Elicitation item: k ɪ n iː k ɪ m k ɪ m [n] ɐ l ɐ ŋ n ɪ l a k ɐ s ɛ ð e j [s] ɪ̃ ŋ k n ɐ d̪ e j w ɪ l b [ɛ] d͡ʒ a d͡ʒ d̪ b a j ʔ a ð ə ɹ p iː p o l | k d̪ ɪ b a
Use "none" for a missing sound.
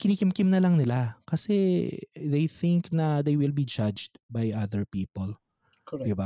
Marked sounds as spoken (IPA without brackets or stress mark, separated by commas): n, θ, i